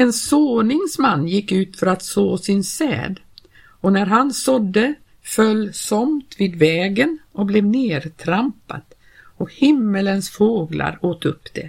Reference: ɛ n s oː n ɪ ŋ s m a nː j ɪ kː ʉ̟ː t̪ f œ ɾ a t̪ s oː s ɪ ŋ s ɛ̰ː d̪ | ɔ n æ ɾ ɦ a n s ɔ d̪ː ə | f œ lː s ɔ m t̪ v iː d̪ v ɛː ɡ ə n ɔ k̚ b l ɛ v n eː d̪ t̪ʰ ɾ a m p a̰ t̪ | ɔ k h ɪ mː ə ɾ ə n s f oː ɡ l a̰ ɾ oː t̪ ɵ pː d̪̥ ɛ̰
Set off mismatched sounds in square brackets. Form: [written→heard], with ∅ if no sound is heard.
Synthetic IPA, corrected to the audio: ɛ n s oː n ɪ ŋ s m a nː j ɪ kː ʉ̟ː t̪ f œ ɾ a t̪ s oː s ɪ [ŋ→n] s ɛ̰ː d̪ | ɔ n æ ɾ ɦ a n s ɔ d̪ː ə | f œ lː s ɔ m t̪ v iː d̪ v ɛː ɡ ə n ɔ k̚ b l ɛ v n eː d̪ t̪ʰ ɾ a m p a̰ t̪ | ɔ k h ɪ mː ə [ɾ→l] ə n s f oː ɡ l a̰ ɾ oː t̪ ɵ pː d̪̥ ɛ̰